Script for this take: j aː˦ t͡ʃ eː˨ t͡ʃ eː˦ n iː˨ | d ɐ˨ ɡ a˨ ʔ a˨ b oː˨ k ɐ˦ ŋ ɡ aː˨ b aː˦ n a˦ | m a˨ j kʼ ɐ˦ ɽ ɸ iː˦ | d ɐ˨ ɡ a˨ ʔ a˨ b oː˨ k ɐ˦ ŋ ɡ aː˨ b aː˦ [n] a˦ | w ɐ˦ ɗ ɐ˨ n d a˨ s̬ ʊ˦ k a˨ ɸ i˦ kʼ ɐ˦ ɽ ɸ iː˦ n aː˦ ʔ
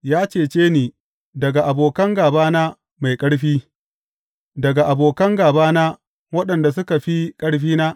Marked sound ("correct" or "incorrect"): correct